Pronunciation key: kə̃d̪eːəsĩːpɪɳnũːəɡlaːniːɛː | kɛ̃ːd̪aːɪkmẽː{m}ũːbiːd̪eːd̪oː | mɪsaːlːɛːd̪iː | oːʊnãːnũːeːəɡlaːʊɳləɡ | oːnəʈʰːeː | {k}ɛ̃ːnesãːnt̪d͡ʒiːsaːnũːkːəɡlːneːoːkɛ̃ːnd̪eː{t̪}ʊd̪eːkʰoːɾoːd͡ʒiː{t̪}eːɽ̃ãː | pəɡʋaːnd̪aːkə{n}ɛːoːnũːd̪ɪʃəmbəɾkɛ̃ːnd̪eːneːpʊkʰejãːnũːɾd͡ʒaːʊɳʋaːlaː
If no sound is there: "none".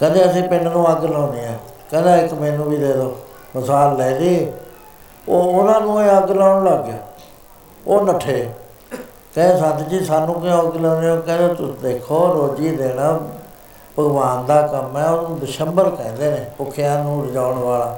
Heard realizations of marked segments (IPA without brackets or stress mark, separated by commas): n, k, t̪, d̪, m